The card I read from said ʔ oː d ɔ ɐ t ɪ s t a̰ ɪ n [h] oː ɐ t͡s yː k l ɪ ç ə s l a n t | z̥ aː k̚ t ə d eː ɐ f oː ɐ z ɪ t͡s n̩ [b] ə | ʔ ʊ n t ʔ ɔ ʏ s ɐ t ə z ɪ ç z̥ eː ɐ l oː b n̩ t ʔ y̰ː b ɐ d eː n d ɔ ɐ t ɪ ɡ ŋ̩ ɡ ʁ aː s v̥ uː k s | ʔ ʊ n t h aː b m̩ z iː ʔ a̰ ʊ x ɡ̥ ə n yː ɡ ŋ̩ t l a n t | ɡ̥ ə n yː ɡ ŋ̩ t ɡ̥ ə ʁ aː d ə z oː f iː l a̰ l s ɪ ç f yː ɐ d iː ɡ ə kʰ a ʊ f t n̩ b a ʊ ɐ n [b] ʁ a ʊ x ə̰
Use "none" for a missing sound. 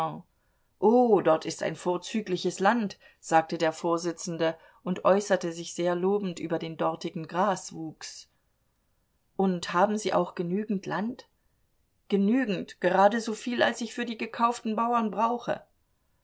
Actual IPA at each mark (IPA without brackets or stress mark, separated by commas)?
f, d, b